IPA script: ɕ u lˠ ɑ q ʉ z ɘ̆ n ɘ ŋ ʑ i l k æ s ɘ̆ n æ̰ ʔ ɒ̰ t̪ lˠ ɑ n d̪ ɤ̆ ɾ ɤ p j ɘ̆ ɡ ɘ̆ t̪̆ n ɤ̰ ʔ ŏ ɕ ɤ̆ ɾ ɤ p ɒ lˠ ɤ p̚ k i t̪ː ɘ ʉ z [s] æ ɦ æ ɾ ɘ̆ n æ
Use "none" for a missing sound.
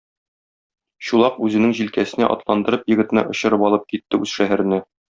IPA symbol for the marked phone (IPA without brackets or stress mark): ʃ